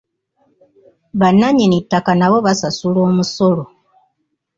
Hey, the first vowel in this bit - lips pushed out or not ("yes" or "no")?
no